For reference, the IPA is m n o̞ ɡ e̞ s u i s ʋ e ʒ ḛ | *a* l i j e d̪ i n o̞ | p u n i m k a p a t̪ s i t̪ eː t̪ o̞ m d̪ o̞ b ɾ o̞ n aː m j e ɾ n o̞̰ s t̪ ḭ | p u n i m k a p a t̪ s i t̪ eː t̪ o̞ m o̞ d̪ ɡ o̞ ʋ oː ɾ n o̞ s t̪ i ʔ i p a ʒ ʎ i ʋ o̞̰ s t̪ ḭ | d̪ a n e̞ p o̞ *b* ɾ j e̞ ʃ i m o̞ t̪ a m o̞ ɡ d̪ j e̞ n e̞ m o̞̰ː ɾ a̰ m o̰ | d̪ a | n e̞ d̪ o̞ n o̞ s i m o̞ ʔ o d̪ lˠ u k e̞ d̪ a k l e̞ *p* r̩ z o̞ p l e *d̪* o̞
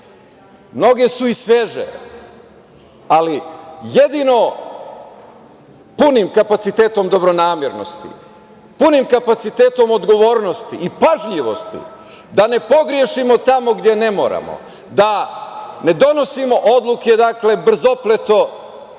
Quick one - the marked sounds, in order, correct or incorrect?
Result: correct, incorrect: ɡ, incorrect: b, incorrect: t̪

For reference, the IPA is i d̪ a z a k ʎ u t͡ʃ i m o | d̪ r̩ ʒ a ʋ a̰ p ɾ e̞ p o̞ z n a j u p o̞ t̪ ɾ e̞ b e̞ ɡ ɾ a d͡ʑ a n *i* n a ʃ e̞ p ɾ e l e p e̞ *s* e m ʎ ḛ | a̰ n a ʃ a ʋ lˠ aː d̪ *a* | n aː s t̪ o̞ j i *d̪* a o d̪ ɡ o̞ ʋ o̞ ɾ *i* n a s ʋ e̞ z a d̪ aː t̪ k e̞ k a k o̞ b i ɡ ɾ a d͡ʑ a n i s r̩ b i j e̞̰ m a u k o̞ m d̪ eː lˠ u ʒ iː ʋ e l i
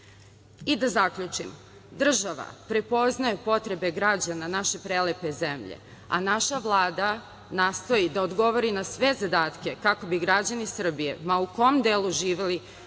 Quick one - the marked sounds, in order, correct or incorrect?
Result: incorrect: a, incorrect: z, correct, correct, correct

